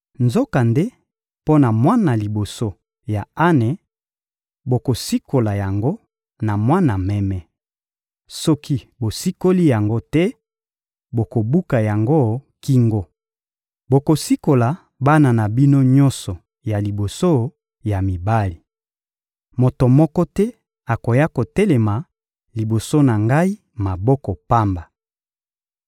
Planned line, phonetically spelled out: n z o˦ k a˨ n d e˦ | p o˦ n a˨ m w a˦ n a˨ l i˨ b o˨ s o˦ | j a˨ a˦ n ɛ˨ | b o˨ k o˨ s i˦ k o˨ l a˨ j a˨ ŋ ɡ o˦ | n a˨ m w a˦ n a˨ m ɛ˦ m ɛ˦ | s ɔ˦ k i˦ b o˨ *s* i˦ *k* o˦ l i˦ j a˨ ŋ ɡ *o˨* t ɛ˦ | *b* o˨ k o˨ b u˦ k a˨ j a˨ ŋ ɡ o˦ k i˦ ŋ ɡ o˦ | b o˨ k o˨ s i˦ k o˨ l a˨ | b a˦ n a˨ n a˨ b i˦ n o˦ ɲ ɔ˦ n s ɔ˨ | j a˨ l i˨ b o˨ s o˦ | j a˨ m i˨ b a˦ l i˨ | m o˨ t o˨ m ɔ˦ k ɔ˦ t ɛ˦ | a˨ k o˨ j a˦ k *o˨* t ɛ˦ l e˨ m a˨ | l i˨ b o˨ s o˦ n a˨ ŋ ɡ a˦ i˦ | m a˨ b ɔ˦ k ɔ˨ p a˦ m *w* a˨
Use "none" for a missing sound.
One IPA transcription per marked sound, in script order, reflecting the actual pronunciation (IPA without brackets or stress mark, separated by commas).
s, k, o˦, b, o˨, b